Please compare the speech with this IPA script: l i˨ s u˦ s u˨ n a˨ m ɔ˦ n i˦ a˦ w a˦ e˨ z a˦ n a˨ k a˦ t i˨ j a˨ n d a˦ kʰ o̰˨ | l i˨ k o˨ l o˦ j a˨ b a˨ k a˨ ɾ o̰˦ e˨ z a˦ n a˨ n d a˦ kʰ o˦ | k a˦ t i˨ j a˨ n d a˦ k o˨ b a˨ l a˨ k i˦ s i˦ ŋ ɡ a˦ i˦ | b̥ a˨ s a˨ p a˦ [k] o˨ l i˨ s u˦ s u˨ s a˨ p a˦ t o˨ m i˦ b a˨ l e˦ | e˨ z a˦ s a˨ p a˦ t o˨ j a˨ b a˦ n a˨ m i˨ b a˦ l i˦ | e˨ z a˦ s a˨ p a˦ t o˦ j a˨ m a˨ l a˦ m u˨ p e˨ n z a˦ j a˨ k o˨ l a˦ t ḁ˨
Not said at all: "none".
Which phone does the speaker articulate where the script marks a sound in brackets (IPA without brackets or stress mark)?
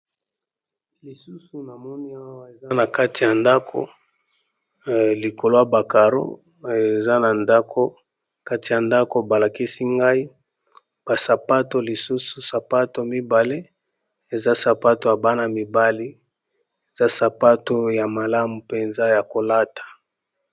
t